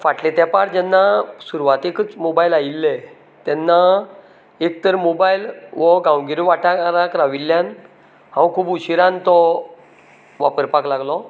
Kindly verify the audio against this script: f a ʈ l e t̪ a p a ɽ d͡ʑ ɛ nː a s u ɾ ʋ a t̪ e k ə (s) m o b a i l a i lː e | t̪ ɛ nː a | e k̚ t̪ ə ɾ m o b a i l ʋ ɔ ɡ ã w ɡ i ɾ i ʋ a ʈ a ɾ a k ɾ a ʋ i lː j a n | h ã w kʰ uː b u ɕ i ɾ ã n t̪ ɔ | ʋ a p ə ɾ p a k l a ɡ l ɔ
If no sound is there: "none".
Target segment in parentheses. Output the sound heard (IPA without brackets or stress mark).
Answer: t͡s